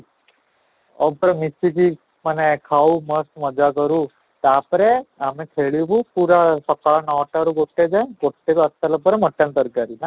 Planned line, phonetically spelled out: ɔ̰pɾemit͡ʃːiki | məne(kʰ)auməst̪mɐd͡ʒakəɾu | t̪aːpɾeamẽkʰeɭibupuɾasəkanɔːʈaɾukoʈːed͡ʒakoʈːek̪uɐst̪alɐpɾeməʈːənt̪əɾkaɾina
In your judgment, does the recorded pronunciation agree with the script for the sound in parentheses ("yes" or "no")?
yes